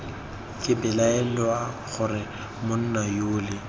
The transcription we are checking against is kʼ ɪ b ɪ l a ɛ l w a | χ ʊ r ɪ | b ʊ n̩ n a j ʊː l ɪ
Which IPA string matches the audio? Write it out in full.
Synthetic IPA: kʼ ɪ b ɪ l a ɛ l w a | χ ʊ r ɪ | m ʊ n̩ n a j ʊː l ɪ